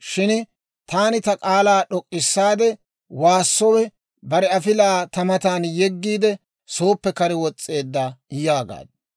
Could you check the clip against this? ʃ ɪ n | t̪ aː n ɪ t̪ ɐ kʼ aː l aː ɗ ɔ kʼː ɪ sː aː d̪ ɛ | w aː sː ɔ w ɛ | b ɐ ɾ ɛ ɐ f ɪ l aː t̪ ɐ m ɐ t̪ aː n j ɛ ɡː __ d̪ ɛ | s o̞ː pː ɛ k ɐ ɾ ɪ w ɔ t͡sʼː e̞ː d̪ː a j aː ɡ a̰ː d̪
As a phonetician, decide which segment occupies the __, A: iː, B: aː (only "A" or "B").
A